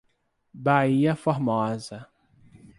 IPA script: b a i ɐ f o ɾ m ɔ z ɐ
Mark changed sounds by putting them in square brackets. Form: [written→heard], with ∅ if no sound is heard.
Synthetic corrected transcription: b a i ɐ f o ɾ m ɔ z ɐ